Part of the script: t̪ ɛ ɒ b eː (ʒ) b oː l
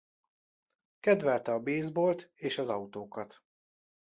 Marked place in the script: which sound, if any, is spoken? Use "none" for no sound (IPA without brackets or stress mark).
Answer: z